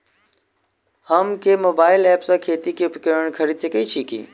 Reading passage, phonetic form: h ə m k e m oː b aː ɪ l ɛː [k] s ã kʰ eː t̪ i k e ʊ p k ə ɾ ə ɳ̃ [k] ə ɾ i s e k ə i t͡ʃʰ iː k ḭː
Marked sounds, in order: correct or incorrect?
incorrect, incorrect

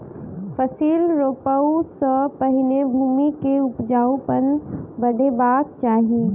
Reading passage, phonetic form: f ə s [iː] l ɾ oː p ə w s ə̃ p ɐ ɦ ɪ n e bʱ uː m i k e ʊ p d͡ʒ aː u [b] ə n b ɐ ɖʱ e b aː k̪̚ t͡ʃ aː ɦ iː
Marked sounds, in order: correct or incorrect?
correct, incorrect

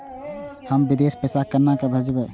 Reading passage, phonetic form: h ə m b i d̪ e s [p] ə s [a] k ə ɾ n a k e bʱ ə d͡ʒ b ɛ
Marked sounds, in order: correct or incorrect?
correct, correct

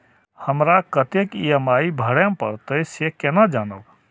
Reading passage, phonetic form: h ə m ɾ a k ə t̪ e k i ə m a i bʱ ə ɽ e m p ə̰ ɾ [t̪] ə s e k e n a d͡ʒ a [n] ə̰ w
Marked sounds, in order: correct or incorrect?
correct, correct

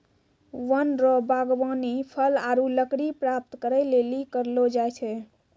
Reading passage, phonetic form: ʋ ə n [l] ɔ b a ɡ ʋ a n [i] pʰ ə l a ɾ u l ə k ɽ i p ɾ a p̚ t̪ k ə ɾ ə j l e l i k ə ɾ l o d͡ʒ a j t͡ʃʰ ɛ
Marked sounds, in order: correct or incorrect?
incorrect, correct

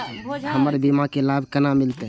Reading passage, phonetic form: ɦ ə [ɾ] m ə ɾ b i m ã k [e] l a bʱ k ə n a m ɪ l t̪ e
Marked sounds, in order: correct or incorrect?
incorrect, correct

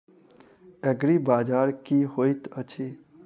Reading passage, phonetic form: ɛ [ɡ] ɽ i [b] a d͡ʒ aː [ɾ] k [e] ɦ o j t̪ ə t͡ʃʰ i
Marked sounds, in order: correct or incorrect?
correct, correct, correct, incorrect

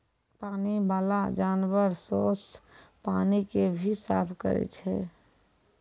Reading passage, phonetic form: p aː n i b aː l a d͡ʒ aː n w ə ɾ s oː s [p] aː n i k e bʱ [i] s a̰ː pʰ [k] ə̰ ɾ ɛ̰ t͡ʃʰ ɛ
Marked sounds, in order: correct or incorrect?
correct, correct, correct

